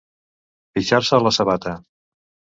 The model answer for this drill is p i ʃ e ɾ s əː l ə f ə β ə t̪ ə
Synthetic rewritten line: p i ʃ a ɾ s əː l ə s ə β a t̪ ə